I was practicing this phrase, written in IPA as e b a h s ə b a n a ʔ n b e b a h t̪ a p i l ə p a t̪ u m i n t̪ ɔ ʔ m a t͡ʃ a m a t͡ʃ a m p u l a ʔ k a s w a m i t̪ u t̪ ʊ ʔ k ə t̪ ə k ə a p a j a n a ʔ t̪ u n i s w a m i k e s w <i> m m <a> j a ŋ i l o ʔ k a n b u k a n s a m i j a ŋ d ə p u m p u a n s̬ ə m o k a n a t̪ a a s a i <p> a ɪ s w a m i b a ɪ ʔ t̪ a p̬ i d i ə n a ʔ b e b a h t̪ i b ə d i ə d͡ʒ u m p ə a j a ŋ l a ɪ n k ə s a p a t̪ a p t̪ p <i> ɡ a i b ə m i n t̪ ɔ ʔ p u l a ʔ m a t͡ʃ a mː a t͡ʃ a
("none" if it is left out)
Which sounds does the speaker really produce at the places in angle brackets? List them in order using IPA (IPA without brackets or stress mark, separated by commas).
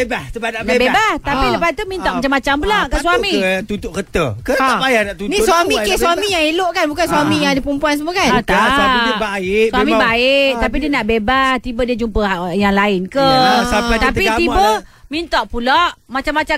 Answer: a, i, b, i